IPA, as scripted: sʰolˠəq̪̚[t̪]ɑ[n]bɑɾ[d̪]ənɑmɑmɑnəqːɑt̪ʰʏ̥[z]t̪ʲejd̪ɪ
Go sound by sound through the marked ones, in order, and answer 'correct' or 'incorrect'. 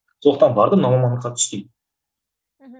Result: correct, correct, correct, incorrect

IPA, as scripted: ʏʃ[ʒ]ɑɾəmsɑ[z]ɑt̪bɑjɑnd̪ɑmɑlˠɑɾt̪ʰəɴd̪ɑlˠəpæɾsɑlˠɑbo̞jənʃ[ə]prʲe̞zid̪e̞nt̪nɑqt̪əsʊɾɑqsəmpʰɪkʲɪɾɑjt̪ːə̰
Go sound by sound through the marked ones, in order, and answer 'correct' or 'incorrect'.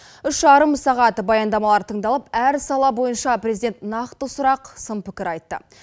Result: correct, incorrect, incorrect

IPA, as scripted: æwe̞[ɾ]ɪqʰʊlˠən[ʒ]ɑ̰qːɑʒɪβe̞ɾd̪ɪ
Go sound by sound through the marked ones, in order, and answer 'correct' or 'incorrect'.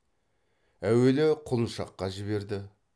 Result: incorrect, incorrect

